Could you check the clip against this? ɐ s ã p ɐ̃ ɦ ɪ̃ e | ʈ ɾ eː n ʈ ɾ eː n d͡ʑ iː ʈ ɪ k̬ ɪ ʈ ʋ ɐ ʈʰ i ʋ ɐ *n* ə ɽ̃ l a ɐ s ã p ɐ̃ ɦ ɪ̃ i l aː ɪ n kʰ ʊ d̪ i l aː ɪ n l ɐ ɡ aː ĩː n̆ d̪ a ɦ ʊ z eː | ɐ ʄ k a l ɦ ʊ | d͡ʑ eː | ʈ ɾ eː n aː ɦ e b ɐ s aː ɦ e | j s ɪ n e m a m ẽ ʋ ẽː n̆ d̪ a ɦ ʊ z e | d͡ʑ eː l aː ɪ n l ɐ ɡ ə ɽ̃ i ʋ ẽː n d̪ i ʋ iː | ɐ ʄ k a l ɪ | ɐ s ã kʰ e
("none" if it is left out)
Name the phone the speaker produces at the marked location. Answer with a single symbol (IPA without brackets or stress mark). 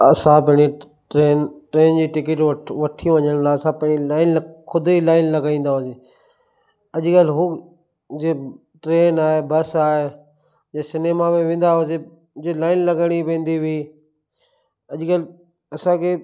ɲ